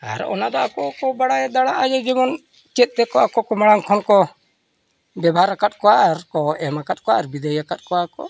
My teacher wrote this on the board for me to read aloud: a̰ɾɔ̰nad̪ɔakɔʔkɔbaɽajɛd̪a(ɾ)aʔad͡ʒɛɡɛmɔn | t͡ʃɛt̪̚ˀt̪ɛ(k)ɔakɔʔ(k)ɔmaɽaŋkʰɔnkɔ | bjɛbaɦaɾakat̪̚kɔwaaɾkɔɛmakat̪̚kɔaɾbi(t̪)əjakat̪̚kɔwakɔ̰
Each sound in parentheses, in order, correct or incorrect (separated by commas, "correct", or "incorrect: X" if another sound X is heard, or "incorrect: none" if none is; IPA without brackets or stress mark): incorrect: ɽ, correct, correct, incorrect: d̪